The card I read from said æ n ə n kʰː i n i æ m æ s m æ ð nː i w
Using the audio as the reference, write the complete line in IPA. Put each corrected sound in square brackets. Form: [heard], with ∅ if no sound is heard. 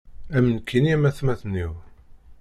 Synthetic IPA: æ [m] ə n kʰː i n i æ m æ [θ] m æ [θ] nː i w